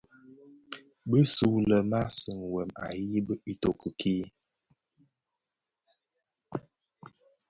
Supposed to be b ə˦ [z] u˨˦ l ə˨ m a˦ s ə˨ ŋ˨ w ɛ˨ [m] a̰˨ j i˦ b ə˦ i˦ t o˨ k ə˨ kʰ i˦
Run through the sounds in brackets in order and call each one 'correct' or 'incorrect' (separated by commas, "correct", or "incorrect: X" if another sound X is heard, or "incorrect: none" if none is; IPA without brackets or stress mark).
incorrect: s, correct